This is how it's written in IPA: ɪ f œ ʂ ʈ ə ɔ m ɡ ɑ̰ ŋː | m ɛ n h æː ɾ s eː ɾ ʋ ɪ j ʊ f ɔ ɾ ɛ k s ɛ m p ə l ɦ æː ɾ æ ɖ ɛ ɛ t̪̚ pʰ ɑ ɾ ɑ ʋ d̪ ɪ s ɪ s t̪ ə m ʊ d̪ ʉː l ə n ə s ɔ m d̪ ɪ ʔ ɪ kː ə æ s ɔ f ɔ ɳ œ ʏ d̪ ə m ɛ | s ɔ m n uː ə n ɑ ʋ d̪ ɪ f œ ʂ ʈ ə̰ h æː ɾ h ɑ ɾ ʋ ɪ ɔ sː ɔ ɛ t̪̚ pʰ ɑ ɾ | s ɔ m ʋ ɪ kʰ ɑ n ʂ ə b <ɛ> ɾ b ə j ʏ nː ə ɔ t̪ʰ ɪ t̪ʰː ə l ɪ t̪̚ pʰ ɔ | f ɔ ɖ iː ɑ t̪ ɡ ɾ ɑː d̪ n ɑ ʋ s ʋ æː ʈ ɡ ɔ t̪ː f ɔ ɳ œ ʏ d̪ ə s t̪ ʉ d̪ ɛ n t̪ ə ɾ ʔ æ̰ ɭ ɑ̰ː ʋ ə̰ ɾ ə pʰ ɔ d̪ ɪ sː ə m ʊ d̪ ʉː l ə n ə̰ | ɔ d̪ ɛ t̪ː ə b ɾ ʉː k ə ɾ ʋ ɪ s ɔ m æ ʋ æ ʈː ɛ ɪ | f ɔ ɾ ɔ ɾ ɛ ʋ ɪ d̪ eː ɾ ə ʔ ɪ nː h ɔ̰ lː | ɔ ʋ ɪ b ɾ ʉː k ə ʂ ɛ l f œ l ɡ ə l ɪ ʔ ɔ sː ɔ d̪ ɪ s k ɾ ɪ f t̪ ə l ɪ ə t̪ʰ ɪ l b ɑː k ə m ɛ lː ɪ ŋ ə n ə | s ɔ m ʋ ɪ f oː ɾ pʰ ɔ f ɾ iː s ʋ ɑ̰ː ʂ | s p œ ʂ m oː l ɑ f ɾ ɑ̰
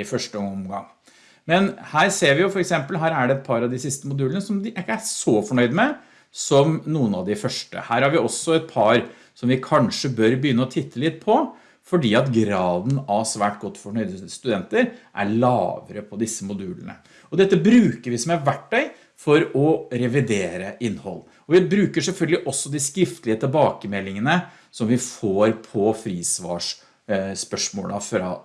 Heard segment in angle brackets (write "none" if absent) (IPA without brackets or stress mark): œ